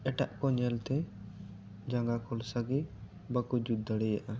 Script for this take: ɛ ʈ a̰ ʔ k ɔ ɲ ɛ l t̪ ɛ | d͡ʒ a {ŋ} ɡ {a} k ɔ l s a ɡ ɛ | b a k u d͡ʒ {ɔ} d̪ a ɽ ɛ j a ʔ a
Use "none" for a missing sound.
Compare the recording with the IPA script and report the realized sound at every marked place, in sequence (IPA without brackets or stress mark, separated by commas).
ŋ, a, u